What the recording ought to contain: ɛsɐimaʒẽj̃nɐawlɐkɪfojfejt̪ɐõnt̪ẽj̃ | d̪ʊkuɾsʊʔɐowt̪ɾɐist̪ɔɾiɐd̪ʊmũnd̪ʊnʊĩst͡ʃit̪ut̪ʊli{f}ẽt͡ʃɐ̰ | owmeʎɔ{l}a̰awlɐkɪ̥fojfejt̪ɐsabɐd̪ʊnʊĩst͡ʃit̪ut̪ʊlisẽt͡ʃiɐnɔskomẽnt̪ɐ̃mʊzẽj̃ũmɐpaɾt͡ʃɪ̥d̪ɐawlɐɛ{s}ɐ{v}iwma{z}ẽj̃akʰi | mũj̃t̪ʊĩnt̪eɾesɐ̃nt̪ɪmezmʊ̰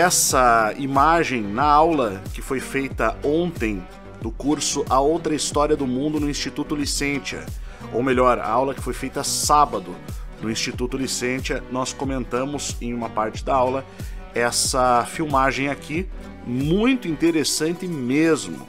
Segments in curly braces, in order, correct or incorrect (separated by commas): incorrect, incorrect, correct, incorrect, incorrect